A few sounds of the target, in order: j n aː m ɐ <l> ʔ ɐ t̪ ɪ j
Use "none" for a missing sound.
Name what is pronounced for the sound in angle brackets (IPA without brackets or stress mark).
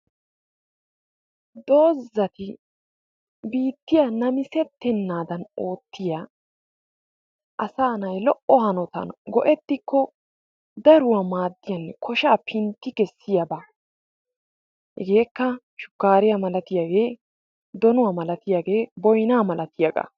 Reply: l